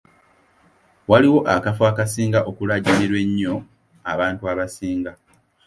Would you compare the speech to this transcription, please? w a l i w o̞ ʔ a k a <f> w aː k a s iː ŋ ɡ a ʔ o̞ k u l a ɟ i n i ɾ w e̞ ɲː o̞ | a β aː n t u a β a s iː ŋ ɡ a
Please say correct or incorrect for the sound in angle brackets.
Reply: correct